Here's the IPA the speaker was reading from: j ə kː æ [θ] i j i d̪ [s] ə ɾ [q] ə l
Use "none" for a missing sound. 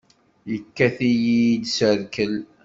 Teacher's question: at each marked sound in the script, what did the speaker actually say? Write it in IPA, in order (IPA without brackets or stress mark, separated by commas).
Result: θ, s, k